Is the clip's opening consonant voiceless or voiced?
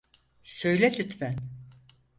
voiceless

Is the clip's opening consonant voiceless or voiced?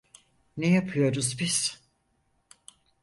voiced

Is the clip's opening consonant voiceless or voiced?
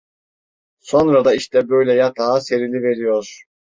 voiceless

